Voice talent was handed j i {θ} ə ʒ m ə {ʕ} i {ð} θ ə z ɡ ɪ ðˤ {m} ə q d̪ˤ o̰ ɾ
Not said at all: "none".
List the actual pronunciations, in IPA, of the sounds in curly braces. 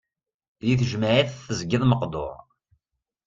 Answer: θ, ʕ, θ, m

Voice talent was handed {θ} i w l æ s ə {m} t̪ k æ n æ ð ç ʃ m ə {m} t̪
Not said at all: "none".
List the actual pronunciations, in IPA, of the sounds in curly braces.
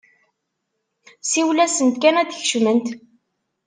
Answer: s, n, n

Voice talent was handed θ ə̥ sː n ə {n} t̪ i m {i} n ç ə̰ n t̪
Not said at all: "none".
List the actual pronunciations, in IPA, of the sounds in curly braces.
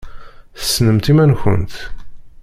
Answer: m, æ

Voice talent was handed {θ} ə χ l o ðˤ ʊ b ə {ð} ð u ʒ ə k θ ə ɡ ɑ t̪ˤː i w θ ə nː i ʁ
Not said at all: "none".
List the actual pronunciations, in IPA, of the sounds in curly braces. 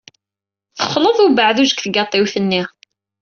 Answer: θ, ʕ

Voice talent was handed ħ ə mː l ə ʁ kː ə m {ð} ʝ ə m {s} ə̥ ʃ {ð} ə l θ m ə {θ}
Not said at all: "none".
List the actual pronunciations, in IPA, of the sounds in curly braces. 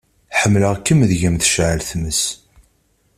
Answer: ð, θ, ʕ, s

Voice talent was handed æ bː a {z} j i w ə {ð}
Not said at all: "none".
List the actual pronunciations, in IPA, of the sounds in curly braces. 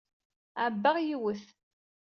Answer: ʁ, θ

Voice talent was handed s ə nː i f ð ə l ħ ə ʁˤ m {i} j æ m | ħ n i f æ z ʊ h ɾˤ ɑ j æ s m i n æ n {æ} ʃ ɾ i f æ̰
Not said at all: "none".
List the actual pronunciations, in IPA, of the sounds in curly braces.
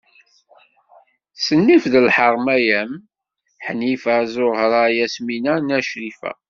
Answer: æ, æ

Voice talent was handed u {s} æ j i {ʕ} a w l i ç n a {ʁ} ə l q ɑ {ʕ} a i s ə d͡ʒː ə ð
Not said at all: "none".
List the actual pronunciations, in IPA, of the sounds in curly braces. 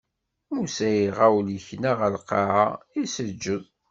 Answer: s, ʁ, ʁ, ʕ

